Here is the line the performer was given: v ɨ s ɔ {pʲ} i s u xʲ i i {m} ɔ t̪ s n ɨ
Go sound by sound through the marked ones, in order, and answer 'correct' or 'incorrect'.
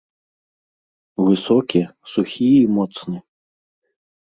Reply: incorrect, correct

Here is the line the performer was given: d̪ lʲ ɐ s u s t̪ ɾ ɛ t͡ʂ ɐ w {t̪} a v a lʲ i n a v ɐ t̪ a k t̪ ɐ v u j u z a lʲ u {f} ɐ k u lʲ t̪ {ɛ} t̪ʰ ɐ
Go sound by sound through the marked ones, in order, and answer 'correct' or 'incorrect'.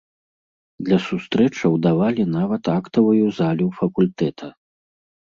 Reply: incorrect, correct, correct

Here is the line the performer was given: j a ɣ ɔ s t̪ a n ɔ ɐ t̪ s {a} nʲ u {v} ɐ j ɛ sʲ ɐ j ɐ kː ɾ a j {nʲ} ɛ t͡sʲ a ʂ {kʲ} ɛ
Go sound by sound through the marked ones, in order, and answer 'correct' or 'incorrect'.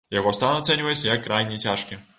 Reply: incorrect, correct, correct, correct

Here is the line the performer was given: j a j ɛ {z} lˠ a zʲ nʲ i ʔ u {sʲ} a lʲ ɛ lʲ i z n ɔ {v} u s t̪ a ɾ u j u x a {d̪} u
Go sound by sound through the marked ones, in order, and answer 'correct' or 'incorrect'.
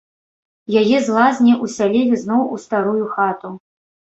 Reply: correct, correct, incorrect, incorrect

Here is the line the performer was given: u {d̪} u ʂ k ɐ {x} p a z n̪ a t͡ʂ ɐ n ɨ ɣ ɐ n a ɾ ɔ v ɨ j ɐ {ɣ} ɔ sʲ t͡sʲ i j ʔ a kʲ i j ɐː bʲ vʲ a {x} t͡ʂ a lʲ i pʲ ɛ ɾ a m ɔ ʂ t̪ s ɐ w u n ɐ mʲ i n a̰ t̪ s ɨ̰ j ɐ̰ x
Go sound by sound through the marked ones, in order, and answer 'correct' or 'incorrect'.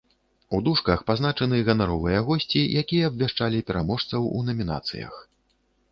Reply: correct, correct, correct, incorrect

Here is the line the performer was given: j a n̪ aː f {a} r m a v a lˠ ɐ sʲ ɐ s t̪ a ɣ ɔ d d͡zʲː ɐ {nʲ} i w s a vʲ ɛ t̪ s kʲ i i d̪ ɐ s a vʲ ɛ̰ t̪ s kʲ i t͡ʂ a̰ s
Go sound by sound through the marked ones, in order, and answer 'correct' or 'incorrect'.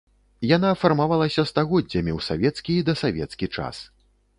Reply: correct, incorrect

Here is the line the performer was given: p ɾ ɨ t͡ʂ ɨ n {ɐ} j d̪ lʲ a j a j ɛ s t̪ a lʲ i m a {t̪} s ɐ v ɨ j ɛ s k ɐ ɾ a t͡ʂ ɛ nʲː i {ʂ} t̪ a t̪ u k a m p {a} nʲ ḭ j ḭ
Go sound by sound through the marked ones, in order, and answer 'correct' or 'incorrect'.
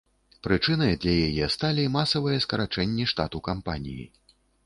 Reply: correct, incorrect, correct, correct

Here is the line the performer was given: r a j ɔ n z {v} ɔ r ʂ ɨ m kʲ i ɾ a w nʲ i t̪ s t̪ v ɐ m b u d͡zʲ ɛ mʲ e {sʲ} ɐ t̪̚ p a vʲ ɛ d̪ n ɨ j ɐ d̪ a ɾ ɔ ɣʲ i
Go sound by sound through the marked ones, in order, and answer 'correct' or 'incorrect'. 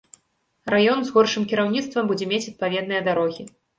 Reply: incorrect, incorrect

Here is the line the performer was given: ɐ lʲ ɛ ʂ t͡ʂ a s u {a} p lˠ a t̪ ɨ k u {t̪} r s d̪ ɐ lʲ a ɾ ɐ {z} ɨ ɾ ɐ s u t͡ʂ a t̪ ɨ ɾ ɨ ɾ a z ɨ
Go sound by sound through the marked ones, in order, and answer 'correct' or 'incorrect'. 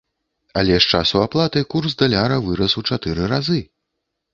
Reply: correct, incorrect, incorrect

